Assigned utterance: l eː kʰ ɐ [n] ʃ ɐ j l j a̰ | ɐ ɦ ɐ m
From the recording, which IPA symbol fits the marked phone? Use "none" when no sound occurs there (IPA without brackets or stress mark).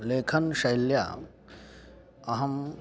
n